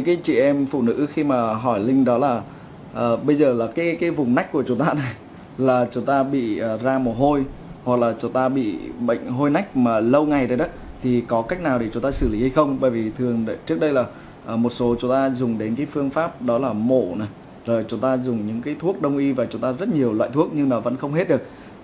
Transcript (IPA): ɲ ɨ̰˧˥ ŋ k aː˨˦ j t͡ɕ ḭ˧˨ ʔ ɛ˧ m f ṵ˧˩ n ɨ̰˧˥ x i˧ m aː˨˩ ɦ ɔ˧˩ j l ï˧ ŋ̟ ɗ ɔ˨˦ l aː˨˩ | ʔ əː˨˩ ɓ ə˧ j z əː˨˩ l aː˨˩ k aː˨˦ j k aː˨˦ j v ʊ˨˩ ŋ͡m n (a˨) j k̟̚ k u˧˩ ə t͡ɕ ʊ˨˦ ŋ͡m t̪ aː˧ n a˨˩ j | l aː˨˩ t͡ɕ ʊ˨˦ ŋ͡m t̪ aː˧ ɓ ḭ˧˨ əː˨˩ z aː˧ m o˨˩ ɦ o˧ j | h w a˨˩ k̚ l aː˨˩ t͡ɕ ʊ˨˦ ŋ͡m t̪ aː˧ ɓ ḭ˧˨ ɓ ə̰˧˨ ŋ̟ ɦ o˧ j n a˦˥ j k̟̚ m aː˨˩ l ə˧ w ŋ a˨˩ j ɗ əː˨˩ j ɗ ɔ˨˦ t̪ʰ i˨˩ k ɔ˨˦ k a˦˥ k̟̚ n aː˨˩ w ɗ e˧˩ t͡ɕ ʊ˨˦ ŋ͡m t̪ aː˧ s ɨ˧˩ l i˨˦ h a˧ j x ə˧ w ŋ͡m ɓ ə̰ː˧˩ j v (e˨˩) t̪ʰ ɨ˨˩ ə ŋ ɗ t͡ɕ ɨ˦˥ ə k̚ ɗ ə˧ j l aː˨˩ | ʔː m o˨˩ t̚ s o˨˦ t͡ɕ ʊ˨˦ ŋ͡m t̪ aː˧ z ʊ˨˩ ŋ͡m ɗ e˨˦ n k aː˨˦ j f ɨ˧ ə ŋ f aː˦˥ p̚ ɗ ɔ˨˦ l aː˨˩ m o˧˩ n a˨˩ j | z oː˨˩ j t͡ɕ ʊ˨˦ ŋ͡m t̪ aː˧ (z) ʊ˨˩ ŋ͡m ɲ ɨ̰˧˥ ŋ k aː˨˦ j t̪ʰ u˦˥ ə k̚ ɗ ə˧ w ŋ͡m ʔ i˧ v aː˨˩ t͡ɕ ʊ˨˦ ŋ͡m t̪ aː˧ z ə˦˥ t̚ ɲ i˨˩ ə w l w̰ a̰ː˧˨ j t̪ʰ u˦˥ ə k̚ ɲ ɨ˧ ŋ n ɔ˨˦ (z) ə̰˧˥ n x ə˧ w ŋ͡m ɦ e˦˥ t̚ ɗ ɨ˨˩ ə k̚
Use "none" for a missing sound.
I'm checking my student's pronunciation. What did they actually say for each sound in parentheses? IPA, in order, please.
a˦˥, i˨˩, z, v

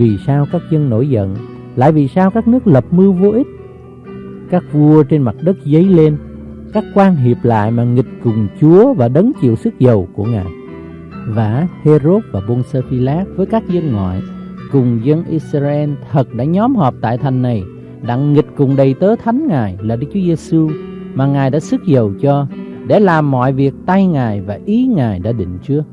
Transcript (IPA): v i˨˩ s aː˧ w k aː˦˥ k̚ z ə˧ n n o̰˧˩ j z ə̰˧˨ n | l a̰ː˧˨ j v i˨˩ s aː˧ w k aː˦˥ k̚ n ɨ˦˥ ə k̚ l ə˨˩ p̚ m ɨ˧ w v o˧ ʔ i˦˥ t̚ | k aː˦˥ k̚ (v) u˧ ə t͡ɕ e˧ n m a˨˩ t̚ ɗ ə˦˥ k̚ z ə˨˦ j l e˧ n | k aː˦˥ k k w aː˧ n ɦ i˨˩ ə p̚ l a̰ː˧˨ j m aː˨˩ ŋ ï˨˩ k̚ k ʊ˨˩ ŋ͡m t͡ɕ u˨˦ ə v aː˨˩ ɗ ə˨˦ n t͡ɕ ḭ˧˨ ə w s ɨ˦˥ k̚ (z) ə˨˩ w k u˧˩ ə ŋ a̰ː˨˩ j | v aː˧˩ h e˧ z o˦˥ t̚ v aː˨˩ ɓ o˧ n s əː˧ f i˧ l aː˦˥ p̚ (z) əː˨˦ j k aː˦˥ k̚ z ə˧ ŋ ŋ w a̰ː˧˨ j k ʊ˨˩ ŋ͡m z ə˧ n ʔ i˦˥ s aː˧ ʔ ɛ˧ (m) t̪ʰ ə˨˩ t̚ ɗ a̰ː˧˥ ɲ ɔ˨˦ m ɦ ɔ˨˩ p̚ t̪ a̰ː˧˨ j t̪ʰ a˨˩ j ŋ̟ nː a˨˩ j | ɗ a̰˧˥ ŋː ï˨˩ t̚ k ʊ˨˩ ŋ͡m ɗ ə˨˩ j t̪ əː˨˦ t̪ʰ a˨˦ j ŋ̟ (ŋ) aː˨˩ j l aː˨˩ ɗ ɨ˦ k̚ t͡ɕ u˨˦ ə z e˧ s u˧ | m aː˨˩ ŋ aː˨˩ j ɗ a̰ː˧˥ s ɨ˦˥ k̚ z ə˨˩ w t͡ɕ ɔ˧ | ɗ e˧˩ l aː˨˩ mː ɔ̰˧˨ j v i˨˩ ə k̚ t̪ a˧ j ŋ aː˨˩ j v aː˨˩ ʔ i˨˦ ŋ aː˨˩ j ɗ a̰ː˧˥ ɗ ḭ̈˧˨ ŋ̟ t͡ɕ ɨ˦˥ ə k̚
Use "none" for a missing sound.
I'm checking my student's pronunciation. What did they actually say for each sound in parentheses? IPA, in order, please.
v, z, v, n, ŋ

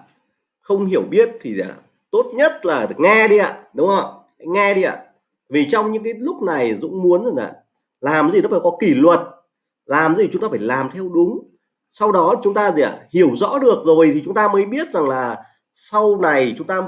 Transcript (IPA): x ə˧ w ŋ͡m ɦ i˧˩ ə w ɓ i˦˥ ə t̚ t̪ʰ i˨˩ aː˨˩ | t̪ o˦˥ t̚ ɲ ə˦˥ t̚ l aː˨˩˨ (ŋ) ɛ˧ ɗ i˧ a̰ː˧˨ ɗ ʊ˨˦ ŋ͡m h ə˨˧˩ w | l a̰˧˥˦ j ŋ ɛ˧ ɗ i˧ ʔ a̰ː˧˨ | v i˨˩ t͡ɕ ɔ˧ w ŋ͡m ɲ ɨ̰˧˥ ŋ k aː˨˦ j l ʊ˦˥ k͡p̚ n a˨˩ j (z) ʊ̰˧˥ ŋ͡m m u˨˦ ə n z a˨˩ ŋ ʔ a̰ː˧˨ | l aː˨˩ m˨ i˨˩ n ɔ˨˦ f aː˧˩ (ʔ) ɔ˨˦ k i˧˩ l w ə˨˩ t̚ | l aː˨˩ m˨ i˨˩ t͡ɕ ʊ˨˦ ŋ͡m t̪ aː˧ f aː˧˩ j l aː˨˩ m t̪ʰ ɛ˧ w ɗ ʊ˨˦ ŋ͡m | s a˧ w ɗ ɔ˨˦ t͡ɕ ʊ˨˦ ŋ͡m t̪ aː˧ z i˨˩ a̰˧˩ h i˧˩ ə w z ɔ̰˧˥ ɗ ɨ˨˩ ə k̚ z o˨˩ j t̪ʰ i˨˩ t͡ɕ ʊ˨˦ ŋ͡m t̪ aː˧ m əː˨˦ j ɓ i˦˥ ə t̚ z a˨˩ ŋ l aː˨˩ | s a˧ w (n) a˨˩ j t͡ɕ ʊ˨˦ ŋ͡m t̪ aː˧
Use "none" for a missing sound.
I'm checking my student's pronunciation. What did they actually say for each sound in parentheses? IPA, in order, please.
ŋ, z, k, n

